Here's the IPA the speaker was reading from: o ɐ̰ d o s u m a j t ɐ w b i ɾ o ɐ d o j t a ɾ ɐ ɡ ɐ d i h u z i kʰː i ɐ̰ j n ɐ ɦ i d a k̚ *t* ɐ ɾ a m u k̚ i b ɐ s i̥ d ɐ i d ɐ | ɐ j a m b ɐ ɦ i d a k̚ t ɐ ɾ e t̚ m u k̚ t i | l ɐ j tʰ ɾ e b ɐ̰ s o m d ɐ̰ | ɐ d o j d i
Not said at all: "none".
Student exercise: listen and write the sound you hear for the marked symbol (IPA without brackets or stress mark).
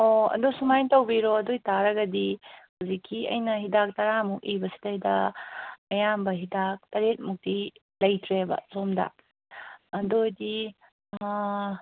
t